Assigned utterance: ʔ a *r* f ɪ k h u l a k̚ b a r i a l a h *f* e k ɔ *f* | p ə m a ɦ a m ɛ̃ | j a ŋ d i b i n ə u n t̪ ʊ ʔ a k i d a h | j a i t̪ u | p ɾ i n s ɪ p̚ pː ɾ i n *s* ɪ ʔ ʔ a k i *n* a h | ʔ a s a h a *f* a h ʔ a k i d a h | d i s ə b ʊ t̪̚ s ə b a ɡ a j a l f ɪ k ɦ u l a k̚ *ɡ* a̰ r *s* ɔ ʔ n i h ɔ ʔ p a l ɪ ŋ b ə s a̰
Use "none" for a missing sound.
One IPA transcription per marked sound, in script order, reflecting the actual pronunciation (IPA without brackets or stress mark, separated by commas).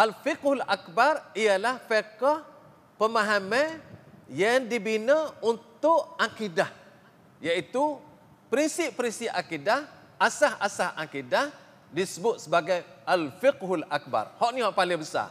l, f, h, s, d, s, b, h